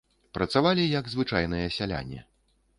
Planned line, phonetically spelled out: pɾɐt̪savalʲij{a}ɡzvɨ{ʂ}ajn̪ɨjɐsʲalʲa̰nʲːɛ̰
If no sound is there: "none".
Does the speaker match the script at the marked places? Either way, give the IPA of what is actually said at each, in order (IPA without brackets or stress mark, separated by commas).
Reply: ɐ, t͡ʂ